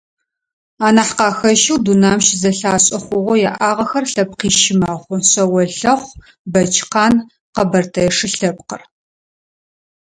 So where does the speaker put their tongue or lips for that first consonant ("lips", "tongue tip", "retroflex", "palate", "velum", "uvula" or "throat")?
tongue tip